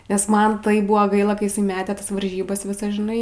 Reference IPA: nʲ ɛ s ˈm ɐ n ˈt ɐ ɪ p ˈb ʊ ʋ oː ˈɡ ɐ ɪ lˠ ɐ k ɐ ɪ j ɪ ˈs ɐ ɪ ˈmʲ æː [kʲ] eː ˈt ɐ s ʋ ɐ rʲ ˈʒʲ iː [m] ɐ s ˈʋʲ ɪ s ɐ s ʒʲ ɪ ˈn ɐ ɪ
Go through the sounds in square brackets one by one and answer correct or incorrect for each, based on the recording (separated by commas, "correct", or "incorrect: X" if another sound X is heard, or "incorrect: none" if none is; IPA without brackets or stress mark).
incorrect: tʲ, incorrect: b